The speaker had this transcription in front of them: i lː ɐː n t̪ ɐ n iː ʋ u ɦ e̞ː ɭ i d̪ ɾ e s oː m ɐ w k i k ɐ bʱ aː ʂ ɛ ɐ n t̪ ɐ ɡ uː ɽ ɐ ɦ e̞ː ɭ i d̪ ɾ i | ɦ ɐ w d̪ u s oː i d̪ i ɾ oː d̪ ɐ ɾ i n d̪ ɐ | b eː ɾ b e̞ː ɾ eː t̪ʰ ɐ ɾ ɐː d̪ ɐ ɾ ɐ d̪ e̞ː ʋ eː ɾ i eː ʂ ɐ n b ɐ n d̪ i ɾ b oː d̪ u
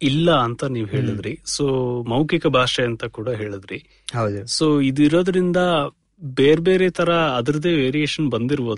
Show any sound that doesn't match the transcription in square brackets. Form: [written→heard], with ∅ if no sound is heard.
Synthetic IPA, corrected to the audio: i lː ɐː n t̪ ɐ n iː ʋ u ɦ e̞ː ɭ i d̪ ɾ [e→i] s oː m ɐ w k i k ɐ bʱ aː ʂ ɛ ɐ n t̪ ɐ [ɡ→k] uː ɽ ɐ ɦ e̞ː ɭ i d̪ ɾ i | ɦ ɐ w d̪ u s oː i d̪ i ɾ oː d̪ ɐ ɾ i n d̪ ɐ | b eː ɾ b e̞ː ɾ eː t̪ʰ ɐ ɾ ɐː d̪ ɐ ɾ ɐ d̪ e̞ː ʋ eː ɾ i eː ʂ ɐ n b ɐ n d̪ i ɾ b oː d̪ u